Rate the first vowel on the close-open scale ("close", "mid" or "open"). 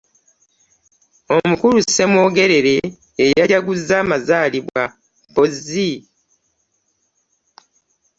mid